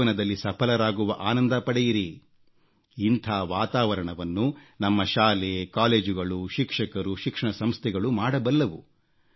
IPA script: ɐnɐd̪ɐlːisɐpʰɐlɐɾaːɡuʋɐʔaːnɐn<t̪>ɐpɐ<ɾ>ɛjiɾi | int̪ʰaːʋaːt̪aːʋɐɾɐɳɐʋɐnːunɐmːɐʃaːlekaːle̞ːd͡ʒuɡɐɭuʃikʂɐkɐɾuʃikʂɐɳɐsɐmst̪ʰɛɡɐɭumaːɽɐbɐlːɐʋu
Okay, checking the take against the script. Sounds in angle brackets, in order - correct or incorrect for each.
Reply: incorrect, incorrect

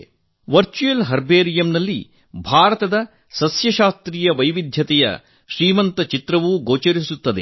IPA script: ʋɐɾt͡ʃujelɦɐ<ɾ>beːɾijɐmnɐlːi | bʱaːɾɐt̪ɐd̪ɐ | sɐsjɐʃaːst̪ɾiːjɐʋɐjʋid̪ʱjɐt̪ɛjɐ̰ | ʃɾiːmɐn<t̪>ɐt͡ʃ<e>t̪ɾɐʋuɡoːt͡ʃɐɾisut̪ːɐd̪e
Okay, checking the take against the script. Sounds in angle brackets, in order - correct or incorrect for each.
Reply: correct, correct, incorrect

